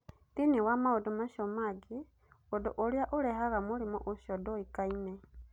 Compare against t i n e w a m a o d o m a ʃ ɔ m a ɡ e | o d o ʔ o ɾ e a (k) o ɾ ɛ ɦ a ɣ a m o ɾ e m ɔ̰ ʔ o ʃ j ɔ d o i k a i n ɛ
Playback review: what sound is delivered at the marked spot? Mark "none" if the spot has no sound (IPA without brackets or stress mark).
ʔ